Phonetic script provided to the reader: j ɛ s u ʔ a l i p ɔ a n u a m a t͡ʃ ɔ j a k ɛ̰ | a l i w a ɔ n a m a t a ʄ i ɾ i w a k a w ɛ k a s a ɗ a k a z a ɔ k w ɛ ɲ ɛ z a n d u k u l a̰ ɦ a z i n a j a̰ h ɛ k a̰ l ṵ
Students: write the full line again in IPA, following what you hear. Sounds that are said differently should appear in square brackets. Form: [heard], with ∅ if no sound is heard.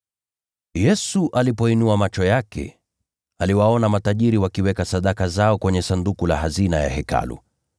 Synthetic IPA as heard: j ɛ s u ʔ a l i p ɔ [i] n u a m a t͡ʃ ɔ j a k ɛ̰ | a l i w a ɔ n a m a t a ʄ i ɾ i w a k [i] w ɛ k a s a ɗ a k a z a ɔ k w ɛ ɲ ɛ [s] a n d u k u l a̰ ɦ a z i n a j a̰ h ɛ k a̰ l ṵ